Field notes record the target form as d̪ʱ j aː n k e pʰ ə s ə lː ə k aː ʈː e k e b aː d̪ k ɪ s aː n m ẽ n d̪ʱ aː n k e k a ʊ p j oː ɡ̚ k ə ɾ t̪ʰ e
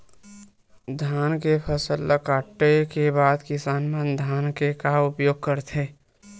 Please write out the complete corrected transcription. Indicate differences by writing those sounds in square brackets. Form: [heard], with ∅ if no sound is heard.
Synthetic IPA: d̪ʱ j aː n k e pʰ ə s ə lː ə k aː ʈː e k e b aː d̪ k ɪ s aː n m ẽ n d̪ʱ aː n k e k a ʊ p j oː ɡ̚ k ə ɾ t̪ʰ e